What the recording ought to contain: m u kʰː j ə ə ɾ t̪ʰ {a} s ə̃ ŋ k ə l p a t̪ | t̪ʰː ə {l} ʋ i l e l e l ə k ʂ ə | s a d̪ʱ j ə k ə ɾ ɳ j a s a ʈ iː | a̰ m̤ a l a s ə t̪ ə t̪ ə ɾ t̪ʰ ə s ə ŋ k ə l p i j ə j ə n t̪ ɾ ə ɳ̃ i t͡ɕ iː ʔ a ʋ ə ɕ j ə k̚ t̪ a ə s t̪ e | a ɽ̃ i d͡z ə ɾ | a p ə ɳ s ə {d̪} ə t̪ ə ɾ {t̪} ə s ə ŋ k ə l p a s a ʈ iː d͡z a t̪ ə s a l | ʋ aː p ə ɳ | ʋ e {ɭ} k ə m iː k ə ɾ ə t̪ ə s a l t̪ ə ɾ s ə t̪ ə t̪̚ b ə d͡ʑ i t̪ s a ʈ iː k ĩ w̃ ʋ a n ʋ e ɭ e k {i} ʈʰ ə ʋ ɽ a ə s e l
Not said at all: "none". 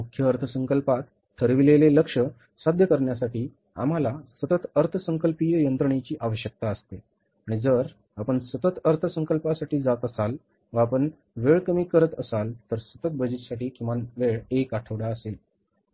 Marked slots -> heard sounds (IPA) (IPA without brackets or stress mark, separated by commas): ə, ɾ, t̪, t̪ʰ, ɭ, a